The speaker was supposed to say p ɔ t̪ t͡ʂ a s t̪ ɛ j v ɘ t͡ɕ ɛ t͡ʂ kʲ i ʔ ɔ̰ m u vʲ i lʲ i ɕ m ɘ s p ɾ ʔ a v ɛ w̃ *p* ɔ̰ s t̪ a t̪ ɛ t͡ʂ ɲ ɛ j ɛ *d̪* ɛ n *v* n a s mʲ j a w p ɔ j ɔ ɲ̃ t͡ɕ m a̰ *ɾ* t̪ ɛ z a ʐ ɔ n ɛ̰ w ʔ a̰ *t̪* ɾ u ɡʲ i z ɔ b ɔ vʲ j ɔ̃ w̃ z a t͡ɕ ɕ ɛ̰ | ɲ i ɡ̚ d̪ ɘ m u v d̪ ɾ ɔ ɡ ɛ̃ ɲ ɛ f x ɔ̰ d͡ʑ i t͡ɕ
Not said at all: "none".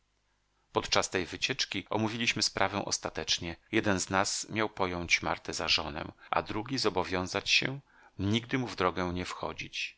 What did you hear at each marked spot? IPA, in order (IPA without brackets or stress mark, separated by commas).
ʔ, d̪, z, ɾ, d̪